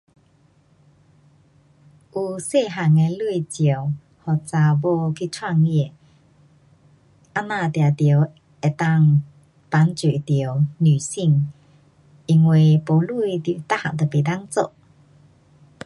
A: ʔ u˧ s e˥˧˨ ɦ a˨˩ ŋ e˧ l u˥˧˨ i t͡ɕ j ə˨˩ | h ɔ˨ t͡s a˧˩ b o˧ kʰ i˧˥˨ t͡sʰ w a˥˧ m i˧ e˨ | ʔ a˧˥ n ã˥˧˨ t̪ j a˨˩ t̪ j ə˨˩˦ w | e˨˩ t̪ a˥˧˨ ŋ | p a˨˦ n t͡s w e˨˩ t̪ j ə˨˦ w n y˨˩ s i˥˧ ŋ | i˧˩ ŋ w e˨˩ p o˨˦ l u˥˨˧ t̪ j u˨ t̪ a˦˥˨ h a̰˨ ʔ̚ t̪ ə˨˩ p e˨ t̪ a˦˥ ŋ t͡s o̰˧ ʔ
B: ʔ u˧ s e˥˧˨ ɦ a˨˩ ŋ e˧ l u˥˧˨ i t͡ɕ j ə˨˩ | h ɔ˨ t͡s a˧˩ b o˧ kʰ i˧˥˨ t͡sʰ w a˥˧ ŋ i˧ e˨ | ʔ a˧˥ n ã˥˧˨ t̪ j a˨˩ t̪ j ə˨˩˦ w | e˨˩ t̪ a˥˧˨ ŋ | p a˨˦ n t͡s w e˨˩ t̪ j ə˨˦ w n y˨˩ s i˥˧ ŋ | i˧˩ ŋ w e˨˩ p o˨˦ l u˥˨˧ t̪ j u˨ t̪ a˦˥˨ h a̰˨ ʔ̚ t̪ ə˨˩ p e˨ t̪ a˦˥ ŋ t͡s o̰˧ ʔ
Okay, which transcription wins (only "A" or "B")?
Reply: B